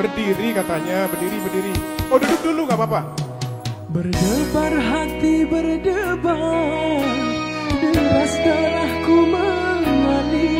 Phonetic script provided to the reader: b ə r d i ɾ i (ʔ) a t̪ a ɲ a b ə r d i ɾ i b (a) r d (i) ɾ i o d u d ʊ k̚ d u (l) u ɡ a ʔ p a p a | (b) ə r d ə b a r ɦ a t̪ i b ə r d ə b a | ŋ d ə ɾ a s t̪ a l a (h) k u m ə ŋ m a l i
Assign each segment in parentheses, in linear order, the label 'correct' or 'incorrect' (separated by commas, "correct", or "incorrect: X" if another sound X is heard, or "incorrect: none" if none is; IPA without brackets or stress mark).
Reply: incorrect: k, incorrect: ə, correct, correct, correct, correct